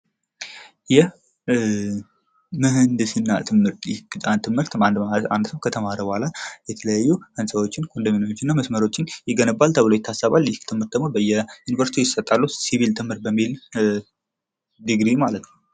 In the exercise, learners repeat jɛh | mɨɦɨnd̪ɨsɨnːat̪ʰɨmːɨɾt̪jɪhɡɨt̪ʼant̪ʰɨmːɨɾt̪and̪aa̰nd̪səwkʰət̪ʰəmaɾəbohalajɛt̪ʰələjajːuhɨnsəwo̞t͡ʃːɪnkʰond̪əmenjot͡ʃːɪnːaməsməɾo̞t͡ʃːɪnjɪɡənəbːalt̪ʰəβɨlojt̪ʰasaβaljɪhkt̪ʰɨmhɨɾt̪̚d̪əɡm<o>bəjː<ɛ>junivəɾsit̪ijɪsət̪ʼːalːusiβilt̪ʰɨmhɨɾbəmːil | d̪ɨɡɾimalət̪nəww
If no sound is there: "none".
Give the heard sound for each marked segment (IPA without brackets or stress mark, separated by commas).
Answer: o, ɛ